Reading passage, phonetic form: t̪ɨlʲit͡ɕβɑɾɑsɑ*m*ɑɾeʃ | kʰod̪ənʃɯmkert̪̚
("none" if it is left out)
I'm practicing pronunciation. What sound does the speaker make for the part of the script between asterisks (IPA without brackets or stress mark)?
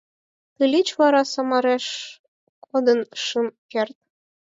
m